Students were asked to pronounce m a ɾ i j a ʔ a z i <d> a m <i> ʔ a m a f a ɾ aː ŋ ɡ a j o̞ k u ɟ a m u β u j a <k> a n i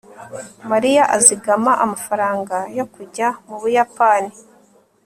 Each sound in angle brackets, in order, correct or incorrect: incorrect: ɡ, incorrect: a, incorrect: p

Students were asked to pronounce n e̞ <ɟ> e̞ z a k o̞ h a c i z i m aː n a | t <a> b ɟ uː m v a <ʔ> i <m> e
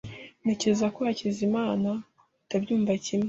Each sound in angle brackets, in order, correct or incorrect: incorrect: c, correct, incorrect: c, correct

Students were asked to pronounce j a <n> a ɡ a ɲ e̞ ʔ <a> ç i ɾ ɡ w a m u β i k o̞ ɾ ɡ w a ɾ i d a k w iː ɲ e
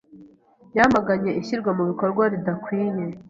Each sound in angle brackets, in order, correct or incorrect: incorrect: m, incorrect: i

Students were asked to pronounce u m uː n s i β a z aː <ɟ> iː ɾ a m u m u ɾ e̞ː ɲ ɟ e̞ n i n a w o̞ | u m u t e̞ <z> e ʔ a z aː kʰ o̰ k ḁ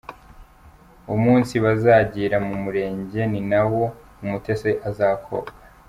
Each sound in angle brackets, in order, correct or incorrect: correct, incorrect: s

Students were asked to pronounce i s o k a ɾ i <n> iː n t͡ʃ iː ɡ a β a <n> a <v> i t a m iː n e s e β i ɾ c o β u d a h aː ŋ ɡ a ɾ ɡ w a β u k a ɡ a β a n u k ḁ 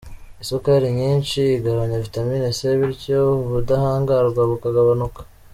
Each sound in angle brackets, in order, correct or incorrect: incorrect: ɲ, incorrect: ɲ, correct

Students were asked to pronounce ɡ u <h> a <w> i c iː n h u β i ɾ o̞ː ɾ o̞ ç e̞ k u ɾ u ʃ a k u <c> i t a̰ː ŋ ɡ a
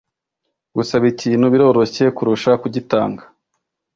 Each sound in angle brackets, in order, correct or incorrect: incorrect: s, incorrect: β, incorrect: ɟ

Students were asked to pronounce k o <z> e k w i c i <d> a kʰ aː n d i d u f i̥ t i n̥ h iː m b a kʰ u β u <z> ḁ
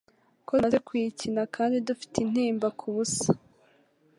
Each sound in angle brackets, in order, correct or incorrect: correct, incorrect: n, incorrect: s

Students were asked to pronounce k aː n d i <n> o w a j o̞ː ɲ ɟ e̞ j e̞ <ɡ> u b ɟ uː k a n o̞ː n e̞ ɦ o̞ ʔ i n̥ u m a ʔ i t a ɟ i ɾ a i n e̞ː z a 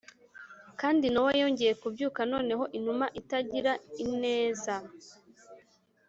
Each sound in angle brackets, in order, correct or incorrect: correct, incorrect: k

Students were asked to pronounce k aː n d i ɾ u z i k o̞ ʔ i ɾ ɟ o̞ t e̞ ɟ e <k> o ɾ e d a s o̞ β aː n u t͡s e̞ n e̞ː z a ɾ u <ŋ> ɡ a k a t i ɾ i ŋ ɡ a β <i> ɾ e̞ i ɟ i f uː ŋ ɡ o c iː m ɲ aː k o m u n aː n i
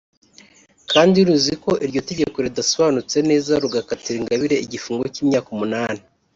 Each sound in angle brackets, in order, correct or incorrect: correct, incorrect: none, correct

